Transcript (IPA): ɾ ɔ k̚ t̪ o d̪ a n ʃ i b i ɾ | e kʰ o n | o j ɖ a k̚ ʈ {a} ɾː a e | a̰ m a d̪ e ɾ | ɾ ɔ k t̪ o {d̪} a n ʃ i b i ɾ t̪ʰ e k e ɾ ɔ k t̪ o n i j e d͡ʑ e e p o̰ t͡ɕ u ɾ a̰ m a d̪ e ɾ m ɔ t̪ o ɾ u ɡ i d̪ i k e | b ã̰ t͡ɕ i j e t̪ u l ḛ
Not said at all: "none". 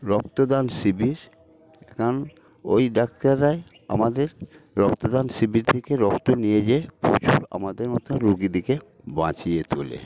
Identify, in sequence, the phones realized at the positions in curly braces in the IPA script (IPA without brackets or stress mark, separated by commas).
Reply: a, d̪